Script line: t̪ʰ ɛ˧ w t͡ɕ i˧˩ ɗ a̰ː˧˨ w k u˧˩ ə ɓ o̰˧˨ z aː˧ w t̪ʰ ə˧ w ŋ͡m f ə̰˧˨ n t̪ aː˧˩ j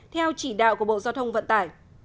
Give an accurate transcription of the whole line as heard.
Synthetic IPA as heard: t̪ʰ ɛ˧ w t͡ɕ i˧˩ ɗ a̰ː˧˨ w k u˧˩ ə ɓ o̰˧˨ z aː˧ w t̪ʰ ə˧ w ŋ͡m v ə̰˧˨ n t̪ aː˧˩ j